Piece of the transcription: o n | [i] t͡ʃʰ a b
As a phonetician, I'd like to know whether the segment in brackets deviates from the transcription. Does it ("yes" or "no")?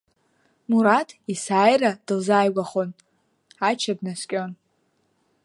yes